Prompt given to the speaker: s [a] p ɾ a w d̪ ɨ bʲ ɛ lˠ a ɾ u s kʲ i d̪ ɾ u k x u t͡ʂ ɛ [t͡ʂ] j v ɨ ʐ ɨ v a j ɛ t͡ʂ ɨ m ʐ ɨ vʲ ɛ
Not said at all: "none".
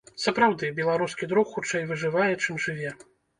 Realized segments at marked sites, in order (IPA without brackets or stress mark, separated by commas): ɐ, none